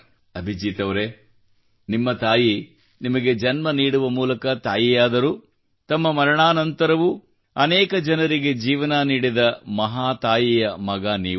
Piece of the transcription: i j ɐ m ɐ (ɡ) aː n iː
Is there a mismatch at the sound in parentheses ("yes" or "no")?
no